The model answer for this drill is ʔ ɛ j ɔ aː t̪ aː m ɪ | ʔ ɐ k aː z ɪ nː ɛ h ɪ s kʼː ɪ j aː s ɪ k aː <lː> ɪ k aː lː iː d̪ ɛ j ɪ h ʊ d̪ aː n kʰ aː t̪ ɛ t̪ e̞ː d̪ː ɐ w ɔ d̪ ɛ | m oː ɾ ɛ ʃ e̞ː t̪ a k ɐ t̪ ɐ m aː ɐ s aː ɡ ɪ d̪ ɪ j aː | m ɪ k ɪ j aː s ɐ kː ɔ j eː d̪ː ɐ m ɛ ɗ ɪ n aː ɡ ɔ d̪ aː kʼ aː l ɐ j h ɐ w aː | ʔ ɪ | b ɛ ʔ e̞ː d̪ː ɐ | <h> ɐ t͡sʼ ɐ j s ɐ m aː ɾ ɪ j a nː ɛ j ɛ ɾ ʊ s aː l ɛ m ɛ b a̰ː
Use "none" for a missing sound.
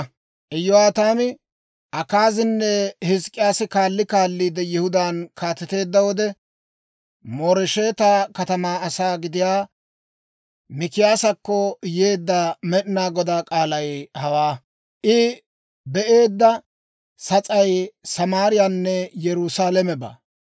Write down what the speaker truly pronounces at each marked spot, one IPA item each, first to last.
lː, s

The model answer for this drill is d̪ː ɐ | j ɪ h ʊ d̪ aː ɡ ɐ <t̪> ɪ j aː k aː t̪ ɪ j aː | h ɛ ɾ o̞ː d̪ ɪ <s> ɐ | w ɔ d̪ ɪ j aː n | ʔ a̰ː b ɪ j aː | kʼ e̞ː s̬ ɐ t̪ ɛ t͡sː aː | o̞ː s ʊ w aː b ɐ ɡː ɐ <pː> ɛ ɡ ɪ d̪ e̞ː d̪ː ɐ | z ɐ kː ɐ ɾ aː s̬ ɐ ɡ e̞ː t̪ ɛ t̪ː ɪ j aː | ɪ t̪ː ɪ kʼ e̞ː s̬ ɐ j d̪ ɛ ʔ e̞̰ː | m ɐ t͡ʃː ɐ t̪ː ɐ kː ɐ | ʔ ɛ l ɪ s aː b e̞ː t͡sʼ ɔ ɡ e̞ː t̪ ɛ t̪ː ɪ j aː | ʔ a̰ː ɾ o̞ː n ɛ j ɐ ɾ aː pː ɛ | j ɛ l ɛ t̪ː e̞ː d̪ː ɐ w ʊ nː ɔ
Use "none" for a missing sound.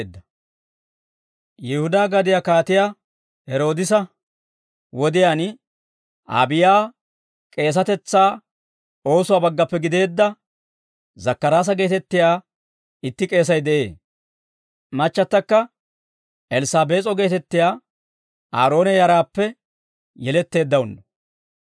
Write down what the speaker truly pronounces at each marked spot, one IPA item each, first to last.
d̪, s, pː

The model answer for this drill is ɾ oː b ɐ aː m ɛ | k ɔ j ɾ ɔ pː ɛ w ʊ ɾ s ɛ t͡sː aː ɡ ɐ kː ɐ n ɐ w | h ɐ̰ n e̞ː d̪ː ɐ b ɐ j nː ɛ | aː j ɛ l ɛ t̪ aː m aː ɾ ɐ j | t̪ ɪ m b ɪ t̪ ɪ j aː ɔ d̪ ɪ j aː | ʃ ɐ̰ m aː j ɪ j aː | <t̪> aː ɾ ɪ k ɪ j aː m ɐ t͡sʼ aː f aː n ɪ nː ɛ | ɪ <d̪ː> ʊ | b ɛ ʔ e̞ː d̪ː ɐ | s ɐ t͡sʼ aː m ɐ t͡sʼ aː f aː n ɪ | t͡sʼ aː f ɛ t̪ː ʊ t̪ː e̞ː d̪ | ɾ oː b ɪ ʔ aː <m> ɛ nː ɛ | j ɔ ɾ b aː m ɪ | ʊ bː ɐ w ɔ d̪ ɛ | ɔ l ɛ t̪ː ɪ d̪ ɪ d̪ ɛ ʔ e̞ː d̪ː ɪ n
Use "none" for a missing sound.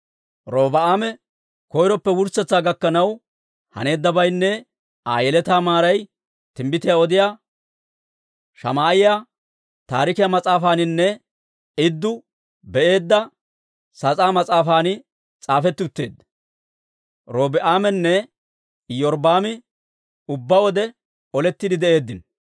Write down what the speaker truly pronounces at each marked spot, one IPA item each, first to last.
t̪, d̪ː, m

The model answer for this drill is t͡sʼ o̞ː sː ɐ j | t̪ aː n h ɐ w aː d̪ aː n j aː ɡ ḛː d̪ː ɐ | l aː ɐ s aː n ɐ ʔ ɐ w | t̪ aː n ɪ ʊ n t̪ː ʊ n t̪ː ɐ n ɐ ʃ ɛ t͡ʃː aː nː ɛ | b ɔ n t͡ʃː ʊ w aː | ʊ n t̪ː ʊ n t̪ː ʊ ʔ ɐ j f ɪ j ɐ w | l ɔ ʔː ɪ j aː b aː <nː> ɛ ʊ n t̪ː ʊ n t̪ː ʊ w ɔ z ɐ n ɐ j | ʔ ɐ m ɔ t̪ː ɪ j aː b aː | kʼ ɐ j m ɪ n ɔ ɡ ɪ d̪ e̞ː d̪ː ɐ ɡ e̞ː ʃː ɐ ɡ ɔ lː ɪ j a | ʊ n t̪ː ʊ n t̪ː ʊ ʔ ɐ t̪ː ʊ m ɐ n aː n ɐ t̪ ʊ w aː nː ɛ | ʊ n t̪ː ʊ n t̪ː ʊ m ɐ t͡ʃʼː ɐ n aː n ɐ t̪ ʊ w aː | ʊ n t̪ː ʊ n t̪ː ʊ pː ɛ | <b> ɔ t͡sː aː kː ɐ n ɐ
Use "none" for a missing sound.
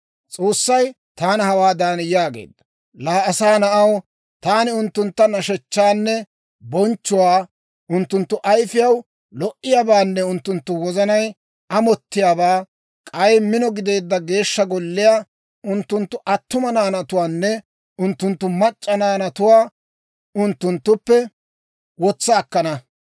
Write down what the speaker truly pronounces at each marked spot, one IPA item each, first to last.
nː, w

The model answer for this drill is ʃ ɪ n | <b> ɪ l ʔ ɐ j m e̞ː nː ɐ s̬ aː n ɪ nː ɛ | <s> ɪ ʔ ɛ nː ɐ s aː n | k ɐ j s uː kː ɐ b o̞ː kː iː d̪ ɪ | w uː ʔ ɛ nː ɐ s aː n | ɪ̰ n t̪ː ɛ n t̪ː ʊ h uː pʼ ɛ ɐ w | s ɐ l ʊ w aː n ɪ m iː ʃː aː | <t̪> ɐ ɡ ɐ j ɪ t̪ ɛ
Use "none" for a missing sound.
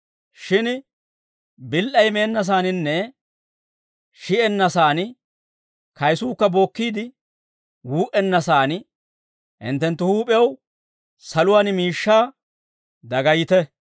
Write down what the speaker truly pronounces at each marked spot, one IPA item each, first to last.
b, ʃ, d̪

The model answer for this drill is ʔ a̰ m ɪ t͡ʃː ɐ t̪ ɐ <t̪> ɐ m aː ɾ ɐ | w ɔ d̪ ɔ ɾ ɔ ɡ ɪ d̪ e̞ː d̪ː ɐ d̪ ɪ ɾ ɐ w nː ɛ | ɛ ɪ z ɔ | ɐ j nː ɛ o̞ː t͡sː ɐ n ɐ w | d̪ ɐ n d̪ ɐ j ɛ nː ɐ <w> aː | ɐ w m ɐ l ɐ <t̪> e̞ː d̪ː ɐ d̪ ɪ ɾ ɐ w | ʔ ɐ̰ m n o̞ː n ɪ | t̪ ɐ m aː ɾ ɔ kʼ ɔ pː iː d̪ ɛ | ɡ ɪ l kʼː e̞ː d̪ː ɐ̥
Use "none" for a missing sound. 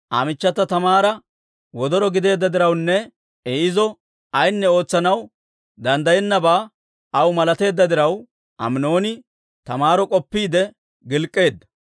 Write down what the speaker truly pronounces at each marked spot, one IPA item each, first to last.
t̪, b, t̪

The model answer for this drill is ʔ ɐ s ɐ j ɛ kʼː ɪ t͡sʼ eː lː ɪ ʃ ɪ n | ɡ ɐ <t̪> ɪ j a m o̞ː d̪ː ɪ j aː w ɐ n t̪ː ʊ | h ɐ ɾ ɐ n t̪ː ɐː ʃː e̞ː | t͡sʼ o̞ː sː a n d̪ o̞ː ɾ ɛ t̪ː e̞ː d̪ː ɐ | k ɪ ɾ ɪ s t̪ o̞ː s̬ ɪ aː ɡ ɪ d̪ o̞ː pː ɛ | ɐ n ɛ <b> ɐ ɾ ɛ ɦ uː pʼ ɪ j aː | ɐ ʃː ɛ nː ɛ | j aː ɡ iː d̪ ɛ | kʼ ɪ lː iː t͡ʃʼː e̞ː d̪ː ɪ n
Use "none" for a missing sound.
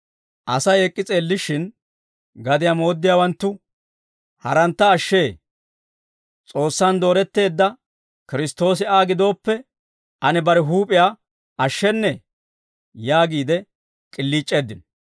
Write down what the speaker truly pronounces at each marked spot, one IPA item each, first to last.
d̪, b

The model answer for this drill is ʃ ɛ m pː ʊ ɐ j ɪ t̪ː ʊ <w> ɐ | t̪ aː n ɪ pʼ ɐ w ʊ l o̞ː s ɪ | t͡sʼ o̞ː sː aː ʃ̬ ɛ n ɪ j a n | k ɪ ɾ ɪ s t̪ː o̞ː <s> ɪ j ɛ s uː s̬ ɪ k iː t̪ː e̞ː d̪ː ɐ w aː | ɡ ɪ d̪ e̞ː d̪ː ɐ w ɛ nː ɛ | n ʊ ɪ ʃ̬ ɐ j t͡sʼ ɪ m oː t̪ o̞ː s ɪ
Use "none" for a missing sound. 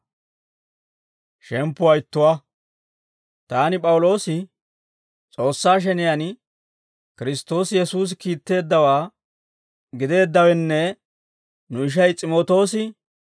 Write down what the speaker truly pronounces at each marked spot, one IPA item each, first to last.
w, s

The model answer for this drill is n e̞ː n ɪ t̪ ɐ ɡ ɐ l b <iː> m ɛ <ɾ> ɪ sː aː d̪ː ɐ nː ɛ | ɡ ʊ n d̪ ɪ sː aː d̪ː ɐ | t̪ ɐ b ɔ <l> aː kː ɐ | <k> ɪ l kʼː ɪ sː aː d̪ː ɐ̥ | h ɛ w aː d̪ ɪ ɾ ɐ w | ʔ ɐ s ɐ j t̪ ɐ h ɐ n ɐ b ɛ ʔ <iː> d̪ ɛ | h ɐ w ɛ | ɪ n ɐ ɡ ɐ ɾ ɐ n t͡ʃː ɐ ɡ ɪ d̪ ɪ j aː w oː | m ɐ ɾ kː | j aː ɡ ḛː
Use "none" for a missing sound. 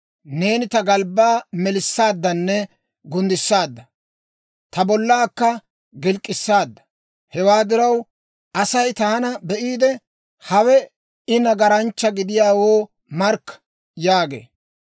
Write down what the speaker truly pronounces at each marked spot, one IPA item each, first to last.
aː, l, lː, ɡ, iː

